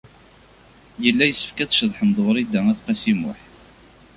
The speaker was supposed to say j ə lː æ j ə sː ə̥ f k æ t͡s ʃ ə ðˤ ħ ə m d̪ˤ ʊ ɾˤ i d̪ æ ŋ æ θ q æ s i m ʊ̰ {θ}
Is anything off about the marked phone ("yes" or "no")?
yes